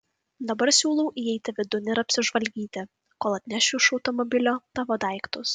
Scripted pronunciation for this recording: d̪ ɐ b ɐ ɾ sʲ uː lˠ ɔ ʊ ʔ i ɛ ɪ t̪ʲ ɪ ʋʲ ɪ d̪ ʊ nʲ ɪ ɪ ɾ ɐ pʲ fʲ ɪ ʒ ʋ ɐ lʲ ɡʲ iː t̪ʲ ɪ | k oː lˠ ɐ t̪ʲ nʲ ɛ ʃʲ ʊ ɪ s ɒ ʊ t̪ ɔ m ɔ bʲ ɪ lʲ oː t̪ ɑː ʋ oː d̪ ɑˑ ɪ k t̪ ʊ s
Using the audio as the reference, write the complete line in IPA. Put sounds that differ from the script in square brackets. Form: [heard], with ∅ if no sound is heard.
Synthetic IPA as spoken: d̪ ɐ b ɐ ɾ sʲ uː lˠ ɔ ʊ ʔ i ɛ ɪ t̪ʲ ɪ ʋʲ ɪ d̪ ʊ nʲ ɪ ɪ ɾ ɐ pʲ [sʲ] ɪ ʒ ʋ ɐ lʲ ɡʲ iː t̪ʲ ɪ | k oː lˠ ɐ t̪ʲ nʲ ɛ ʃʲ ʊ ɪ [ʃ] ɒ ʊ t̪ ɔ m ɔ bʲ ɪ lʲ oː t̪ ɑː ʋ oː d̪ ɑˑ ɪ k t̪ ʊ s